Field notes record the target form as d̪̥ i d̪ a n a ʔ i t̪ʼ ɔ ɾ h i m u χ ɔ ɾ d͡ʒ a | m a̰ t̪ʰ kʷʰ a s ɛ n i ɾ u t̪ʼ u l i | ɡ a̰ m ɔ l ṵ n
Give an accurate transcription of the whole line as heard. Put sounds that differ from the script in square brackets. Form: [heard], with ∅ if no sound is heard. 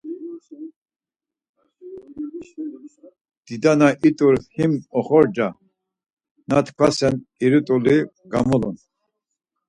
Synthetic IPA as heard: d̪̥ i d̪ a n a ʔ i t̪ʼ [u] ɾ h i m [ɔ] χ ɔ ɾ d͡ʒ a | [n] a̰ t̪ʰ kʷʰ a s ɛ n i ɾ u t̪ʼ u l i | ɡ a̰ m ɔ l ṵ n